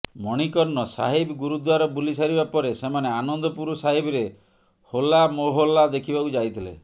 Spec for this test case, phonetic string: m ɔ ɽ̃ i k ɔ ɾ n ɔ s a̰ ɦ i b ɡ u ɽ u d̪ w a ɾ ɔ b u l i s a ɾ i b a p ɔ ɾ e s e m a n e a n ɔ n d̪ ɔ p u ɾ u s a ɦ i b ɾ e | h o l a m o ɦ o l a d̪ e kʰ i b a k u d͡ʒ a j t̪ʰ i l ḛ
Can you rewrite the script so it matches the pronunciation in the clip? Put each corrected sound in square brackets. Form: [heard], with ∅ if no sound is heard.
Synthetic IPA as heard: m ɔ ɽ̃ i k ɔ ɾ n ɔ s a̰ ɦ i b ɡ u [ɾ] u d̪ w a ɾ ɔ b u l i s a ɾ i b a p ɔ ɾ e s e m a n e a n ɔ n d̪ ɔ p u ɾ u s a ɦ i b ɾ e | h o l a m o ɦ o l a d̪ e kʰ i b a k u d͡ʒ a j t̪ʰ i l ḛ